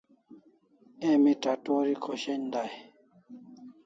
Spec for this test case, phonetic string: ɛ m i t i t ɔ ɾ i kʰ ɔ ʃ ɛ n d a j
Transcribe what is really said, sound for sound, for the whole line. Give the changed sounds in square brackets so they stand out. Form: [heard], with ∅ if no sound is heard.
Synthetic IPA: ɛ m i t [a] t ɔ ɾ i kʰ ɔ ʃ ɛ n d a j